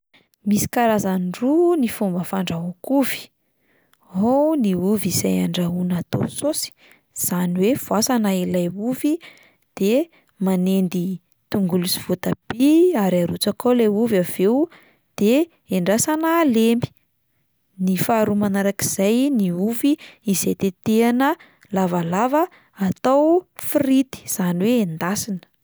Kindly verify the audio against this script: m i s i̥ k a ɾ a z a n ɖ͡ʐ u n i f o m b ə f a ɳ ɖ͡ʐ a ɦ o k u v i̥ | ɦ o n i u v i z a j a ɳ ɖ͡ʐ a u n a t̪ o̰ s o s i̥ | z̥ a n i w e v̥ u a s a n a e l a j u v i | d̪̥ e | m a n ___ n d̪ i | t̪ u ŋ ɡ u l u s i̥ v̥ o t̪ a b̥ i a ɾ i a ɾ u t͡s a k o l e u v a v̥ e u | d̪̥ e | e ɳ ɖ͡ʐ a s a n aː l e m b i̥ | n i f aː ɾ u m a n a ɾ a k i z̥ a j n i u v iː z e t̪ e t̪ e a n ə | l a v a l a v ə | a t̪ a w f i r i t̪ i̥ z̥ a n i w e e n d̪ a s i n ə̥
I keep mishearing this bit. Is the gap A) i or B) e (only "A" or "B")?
B